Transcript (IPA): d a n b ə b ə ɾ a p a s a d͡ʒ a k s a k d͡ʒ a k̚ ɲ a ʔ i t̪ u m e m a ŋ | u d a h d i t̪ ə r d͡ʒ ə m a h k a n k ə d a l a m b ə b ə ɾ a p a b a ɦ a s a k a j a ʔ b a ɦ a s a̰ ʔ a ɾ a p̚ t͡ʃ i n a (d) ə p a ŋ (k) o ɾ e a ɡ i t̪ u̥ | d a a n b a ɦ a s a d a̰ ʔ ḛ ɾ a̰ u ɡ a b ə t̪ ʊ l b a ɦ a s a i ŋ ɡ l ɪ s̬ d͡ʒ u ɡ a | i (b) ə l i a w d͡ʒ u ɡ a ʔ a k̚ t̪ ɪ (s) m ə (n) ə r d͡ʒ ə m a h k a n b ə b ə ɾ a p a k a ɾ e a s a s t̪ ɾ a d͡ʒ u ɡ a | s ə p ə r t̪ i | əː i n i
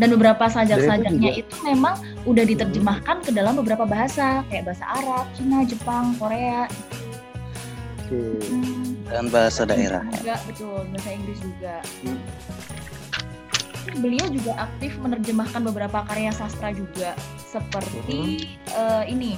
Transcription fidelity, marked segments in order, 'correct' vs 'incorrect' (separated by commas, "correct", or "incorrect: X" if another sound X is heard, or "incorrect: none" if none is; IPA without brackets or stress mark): incorrect: d͡ʒ, correct, correct, incorrect: f, correct